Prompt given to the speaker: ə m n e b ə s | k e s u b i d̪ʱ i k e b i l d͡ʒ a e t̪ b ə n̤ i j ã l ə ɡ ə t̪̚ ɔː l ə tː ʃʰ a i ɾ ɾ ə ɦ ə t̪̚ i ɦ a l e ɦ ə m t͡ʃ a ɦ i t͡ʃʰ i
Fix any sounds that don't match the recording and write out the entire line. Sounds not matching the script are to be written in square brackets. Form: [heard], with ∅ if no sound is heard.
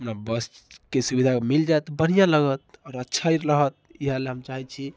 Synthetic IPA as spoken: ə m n [a] b ə s | k e s u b i d̪ʱ [a] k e [m] i l d͡ʒ a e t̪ b ə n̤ i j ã l ə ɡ ə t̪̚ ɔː [ɾ] ə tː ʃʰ a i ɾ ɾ ə ɦ ə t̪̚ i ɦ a l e ɦ ə m t͡ʃ a ɦ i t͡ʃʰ i